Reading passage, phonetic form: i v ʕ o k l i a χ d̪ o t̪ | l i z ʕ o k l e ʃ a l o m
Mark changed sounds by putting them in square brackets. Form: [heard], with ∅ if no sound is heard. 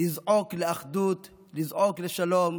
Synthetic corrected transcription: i [z] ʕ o k l [e] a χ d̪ [u] t̪ | l i z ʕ o k l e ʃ a l o m